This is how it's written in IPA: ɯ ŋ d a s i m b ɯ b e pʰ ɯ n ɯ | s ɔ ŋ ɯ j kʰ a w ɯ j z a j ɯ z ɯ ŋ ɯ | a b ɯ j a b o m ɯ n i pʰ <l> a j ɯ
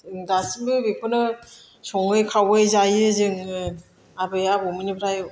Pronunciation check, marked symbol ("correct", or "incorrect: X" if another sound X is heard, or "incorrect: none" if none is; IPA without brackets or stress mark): incorrect: ɾ